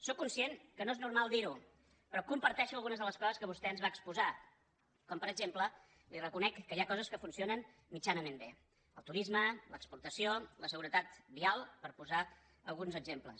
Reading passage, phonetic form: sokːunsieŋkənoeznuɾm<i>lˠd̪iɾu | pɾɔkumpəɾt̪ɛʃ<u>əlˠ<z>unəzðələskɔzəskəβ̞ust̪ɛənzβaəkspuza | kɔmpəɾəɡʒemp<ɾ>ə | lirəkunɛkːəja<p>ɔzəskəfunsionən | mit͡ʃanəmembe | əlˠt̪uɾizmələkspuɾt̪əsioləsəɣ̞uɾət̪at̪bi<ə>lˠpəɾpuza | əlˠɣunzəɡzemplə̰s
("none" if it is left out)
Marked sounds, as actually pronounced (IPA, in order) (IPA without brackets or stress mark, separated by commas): a, u, ɣ, l, k, a